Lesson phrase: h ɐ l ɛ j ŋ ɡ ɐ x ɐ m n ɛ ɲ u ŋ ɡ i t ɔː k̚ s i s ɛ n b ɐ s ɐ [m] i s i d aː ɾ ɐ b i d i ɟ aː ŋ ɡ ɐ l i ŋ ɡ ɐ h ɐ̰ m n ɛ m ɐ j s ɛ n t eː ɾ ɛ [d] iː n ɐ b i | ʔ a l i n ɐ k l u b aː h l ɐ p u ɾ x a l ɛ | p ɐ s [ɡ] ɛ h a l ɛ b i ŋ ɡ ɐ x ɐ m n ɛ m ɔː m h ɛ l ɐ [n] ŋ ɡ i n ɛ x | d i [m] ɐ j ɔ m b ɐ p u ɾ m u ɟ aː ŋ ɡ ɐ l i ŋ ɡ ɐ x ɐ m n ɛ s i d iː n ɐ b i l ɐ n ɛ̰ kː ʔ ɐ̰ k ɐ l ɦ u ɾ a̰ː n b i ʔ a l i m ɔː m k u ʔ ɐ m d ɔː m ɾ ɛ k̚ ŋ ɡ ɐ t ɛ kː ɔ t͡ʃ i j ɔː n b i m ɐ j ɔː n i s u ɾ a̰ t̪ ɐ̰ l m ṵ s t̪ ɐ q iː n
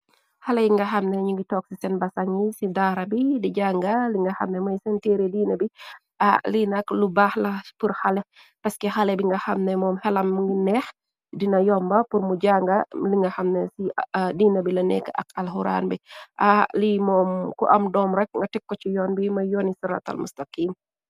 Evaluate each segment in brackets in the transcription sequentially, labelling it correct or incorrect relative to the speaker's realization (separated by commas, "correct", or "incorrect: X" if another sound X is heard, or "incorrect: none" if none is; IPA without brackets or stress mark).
incorrect: ŋ, correct, incorrect: k, incorrect: m, incorrect: n